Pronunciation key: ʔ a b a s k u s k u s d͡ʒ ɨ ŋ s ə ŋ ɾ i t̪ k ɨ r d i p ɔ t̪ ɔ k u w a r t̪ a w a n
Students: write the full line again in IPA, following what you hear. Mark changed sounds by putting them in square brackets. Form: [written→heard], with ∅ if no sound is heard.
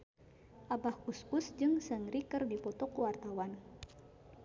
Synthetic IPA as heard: ʔ a b a [s→h] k u s k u s d͡ʒ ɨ ŋ s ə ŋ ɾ i [t̪→∅] k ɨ r d i p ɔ t̪ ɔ k u w a r t̪ a w a n